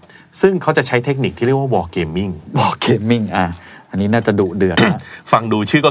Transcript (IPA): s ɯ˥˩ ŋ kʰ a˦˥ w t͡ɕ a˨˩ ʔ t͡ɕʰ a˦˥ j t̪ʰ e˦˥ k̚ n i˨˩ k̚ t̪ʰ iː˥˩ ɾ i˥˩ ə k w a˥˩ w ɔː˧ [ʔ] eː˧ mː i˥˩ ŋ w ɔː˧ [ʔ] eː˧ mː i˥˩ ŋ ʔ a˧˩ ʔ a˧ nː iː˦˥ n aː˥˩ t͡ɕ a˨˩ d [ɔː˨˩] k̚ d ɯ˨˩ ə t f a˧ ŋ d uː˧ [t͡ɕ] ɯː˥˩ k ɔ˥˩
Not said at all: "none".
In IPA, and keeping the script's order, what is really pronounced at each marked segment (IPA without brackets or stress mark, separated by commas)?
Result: k, k, uː˨˩, t͡ɕʰ